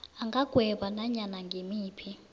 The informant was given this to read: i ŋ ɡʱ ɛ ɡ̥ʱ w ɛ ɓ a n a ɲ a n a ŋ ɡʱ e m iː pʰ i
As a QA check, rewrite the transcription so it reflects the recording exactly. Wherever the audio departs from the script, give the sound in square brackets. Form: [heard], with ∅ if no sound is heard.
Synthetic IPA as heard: [a] ŋ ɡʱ [a] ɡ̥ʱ w ɛ ɓ a n a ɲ a n a ŋ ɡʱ e m iː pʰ i